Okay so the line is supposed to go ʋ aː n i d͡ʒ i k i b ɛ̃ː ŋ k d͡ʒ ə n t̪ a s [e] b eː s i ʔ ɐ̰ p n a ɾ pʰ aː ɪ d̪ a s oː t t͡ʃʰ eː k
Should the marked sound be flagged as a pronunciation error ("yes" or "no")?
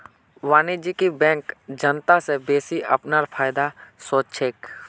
no